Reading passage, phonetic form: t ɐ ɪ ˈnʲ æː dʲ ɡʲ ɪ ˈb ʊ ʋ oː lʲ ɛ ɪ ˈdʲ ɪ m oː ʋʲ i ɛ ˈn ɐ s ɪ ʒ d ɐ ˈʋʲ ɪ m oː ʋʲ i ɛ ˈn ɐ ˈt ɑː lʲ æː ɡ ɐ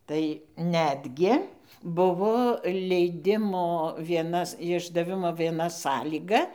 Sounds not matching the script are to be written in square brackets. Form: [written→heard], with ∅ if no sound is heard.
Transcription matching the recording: t ɐ ɪ ˈnʲ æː dʲ ɡʲ ɪ ˈb ʊ ʋ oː lʲ ɛ ɪ ˈdʲ ɪ m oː ʋʲ i ɛ ˈn ɐ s ɪ ʒ d ɐ ˈʋʲ ɪ m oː ʋʲ i ɛ ˈn ɐ [ˈt→ˈs] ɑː lʲ [æː→iː] ɡ ɐ